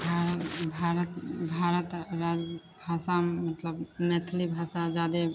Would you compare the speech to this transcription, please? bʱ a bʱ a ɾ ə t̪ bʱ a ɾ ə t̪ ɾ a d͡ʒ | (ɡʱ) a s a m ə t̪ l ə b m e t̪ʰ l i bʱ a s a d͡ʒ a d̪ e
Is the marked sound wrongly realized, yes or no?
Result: yes